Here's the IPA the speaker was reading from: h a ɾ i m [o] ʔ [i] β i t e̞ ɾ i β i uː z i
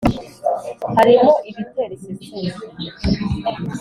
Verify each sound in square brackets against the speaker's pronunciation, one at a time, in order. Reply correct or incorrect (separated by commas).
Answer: correct, correct